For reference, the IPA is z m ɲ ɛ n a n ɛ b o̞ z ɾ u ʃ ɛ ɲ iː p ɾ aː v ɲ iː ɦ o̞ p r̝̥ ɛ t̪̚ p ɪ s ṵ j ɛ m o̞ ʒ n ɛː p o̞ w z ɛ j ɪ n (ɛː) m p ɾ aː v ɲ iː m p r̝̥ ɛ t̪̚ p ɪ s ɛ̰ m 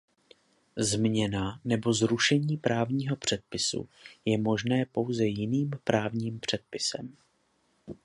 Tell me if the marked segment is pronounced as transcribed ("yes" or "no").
no